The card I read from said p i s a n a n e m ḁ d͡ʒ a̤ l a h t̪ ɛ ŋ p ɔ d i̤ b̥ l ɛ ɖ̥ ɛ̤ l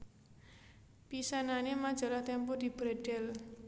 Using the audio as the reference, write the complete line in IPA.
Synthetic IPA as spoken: p i s a n a n e m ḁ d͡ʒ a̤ l a h t̪ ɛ m p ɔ d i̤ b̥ ɾ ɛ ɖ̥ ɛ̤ l